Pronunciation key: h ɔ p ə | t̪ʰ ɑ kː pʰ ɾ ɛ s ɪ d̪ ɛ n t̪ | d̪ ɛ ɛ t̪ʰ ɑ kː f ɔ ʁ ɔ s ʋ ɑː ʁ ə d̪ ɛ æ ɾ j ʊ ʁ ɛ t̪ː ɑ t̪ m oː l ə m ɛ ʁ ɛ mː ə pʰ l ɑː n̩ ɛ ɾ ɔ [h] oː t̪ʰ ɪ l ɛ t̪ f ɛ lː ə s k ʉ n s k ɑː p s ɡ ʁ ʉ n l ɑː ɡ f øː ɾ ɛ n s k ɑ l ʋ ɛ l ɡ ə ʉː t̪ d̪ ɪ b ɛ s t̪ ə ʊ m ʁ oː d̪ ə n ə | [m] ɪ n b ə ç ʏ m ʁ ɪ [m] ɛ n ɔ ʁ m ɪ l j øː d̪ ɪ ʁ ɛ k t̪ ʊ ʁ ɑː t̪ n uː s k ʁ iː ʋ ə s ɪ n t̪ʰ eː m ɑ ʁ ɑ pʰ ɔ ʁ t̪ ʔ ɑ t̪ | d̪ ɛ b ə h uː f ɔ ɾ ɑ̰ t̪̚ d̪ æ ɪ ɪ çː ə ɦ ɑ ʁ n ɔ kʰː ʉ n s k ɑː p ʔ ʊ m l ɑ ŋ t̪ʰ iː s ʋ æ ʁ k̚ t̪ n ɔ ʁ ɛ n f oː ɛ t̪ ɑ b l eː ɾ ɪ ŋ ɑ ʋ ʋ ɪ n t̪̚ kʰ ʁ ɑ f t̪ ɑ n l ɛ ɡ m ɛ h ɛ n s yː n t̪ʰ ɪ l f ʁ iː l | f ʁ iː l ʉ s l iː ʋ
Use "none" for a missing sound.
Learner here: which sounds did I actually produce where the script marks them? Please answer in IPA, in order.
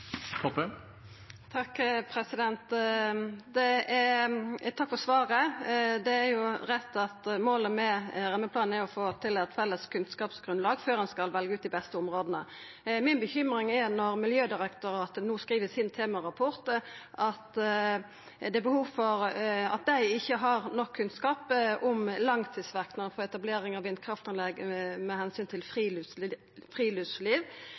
f, m, ŋ

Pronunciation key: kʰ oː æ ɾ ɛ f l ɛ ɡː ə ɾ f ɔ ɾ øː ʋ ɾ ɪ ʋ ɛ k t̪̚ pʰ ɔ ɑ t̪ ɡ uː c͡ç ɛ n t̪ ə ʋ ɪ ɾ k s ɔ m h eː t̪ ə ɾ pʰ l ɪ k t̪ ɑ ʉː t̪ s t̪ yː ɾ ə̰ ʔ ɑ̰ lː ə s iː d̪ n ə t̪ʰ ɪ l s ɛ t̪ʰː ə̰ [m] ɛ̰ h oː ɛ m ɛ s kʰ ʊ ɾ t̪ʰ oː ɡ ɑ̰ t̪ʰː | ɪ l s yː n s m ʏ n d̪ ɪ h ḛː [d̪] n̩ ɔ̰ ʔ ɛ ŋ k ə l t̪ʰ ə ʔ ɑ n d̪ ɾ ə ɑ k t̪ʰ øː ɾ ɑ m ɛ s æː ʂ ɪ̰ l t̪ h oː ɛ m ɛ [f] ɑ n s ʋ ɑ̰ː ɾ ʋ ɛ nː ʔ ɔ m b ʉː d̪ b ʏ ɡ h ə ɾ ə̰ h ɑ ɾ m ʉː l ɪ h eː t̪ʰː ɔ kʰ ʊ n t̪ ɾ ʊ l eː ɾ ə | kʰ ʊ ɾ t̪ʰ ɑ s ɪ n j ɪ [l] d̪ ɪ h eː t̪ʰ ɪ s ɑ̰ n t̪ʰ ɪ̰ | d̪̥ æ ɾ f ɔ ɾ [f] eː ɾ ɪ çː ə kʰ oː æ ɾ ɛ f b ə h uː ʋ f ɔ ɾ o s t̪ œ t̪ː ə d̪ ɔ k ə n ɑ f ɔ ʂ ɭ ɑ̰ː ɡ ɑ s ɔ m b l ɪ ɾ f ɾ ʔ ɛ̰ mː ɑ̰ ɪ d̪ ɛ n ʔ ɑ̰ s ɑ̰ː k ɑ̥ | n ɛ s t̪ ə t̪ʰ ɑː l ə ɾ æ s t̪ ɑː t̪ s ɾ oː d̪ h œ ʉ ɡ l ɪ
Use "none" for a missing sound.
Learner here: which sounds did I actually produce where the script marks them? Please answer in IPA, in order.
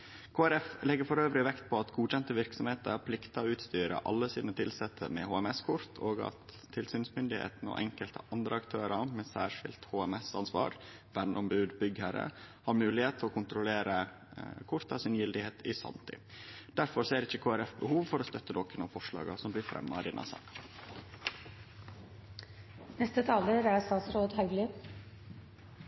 m, t̪, s, l, s

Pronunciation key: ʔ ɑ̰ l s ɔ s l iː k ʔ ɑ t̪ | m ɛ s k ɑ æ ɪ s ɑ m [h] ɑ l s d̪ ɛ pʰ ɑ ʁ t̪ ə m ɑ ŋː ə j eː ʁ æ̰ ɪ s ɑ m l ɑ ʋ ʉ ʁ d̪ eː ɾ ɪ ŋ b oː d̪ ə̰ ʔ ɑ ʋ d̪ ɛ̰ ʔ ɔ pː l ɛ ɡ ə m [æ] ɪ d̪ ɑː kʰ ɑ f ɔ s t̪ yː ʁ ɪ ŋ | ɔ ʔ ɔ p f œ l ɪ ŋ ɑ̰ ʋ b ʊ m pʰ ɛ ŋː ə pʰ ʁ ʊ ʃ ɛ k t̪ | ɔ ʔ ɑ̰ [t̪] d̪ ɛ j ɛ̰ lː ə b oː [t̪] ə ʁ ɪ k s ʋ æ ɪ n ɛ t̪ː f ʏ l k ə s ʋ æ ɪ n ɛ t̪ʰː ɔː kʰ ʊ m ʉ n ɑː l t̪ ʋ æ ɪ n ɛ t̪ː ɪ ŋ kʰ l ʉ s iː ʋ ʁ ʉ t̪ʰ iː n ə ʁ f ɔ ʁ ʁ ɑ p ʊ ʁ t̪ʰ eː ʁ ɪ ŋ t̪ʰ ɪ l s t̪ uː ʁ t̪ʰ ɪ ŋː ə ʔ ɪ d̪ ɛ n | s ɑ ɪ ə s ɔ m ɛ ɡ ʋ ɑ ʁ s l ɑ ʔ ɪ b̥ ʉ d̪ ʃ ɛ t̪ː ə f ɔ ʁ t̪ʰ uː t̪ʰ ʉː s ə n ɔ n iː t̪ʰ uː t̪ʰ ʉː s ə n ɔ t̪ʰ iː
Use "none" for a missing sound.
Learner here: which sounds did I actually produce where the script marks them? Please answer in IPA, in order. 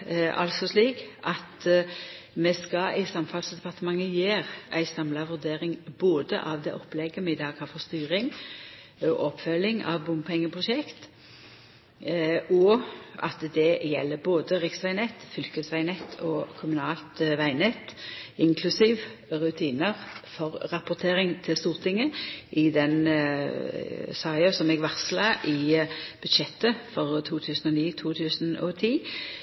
f, ɛ, t̪, d̪

